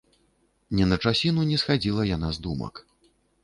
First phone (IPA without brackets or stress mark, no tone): nʲ